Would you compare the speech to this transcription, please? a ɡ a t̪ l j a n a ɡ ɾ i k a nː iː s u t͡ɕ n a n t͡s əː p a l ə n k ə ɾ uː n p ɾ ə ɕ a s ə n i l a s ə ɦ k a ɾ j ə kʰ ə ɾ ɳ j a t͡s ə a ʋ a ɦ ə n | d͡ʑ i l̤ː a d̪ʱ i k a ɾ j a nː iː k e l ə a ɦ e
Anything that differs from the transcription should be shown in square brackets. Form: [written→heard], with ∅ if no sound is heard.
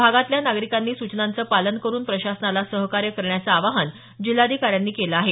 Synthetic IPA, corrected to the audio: a ɡ a t̪ l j a n a ɡ ɾ i k a nː iː s u t͡ɕ n a n t͡s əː p a l ə n k ə ɾ uː n p ɾ ə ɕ a s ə n [i→a] l a s ə ɦ k a ɾ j ə [kʰ→k] ə ɾ ɳ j a t͡s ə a ʋ a ɦ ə n | d͡ʑ i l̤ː a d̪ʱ i k a ɾ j a nː iː k e l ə a ɦ e